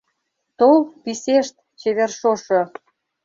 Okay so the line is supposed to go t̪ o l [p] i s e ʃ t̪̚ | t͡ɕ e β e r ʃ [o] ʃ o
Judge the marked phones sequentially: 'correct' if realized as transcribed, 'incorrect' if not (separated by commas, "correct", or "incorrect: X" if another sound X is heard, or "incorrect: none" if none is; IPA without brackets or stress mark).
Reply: correct, correct